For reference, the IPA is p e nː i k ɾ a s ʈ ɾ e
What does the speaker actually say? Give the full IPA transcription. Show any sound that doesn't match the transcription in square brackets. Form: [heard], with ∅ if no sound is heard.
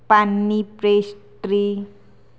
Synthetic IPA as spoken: p [a] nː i [p] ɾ [e] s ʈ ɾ [i]